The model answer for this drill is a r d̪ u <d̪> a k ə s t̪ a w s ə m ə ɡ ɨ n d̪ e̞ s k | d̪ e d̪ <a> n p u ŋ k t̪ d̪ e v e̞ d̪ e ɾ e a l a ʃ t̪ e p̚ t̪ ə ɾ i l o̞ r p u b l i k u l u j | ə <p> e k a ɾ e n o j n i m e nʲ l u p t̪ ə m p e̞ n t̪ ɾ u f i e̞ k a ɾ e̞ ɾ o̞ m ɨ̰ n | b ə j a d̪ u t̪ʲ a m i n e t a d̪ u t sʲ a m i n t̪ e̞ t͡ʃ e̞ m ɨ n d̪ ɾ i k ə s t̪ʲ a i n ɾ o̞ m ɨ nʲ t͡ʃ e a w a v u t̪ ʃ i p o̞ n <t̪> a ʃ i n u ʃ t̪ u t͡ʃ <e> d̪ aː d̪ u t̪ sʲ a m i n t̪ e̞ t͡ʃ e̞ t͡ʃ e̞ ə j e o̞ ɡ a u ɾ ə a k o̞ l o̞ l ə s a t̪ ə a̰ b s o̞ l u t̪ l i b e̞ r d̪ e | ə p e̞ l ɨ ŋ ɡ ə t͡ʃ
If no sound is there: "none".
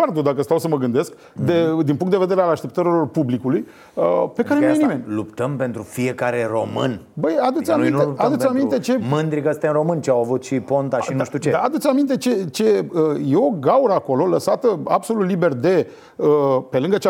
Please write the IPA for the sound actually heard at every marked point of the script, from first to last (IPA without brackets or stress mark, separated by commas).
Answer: d̪, i, p, t̪, e